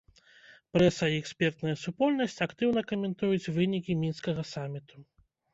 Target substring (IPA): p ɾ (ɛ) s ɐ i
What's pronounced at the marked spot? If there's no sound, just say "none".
ɛ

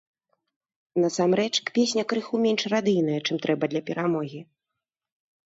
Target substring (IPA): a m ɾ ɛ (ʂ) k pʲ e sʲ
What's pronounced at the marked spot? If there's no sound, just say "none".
t͡ʂ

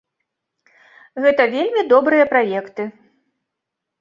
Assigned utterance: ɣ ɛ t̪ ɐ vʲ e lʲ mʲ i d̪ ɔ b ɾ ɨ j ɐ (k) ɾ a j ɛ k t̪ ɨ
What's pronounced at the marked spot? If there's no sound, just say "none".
p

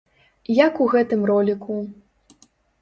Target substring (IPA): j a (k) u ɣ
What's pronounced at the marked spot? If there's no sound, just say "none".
k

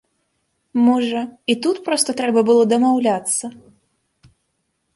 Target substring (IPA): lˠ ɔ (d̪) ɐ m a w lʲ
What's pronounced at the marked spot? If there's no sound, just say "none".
d̪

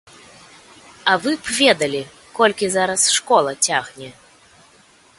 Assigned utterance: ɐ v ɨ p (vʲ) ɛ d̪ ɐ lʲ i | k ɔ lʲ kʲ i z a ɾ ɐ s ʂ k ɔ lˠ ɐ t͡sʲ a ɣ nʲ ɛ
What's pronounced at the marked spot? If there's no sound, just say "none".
vʲ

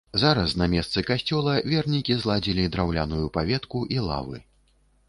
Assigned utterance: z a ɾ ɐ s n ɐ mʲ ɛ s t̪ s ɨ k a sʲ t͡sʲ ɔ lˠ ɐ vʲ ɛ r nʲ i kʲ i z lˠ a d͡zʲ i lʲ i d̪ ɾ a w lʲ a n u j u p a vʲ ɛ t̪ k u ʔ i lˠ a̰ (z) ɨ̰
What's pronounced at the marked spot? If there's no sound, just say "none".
v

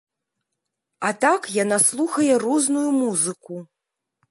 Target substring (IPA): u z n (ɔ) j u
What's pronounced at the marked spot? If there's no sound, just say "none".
u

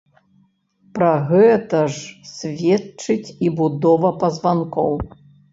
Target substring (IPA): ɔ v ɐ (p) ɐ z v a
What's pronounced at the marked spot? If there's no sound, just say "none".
p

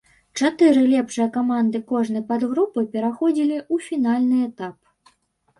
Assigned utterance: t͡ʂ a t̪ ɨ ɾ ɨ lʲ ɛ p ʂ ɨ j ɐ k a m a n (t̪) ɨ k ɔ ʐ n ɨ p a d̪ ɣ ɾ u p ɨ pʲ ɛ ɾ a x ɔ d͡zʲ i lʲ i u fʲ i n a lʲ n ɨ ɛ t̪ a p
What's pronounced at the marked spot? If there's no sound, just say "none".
d̪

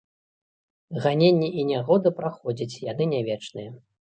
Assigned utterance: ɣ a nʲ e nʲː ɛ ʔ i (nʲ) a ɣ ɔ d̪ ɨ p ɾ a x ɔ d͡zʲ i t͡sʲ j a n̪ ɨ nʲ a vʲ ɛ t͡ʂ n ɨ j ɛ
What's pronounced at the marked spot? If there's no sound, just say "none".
nʲ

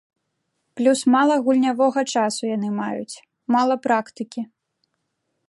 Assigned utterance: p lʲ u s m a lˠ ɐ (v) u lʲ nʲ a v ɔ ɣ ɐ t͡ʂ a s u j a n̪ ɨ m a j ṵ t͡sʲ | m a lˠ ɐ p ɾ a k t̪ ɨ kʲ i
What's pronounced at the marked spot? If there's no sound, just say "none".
ɣ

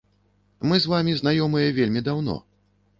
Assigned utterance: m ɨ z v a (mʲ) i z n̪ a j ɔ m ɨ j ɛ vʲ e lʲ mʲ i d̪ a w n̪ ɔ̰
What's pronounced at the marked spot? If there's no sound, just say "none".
mʲ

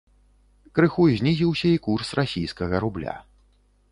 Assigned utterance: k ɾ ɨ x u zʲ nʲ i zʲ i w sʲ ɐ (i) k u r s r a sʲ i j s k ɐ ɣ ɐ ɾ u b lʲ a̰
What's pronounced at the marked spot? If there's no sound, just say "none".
i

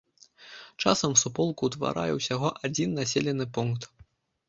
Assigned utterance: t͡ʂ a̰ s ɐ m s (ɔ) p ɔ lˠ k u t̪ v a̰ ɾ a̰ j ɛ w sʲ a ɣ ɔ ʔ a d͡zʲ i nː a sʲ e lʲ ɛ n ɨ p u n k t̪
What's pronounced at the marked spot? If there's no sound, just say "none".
u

